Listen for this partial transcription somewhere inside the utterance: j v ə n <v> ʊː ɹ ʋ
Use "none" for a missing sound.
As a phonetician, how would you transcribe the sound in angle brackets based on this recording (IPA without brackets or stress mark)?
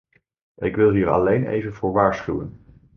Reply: v